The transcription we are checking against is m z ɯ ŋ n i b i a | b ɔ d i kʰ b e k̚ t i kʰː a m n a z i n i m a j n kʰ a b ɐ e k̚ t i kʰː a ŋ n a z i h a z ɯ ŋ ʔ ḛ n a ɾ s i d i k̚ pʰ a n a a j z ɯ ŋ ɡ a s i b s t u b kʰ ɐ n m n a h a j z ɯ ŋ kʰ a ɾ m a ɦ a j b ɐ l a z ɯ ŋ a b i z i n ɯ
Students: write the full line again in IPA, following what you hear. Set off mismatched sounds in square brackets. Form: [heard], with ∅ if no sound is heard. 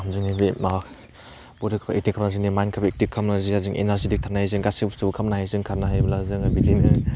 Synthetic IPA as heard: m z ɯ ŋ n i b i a | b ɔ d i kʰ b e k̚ t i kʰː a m n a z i n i m a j n kʰ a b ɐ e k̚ t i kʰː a [m] n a z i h a z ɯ ŋ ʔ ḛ n a ɾ s i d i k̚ [tʰ] a n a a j z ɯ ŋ ɡ a s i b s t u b kʰ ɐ [∅] m n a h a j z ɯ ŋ kʰ a ɾ [n] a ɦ a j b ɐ l a z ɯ ŋ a b i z i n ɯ